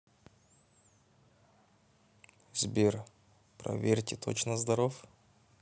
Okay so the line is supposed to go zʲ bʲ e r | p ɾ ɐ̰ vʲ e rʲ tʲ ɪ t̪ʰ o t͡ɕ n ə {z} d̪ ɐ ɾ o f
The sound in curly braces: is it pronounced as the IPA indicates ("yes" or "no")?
yes